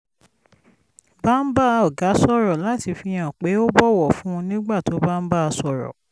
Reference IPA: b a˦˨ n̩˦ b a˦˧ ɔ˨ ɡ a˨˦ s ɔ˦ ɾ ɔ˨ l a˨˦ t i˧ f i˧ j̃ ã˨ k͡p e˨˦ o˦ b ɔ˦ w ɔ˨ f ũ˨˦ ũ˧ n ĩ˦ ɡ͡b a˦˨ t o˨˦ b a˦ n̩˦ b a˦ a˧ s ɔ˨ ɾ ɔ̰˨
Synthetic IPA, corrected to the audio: b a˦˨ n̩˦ b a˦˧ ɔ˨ ɡ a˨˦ s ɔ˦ ɾ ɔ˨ l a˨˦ t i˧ f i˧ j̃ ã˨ k͡p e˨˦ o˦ b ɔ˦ w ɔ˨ f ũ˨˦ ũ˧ n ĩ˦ ɡ͡b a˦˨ t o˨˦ b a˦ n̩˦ b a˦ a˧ s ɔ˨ ɾ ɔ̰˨